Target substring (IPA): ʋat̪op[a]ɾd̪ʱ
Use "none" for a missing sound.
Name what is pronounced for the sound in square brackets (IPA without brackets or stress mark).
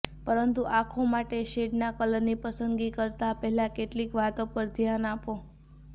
ə